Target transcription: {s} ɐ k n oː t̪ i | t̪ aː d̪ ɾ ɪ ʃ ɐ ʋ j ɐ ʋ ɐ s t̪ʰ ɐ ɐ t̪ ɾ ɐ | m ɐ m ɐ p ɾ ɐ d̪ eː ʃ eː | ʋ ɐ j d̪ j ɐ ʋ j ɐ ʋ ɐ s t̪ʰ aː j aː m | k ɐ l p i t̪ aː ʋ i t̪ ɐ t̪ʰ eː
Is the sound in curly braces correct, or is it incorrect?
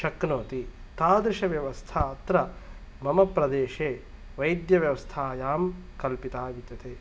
incorrect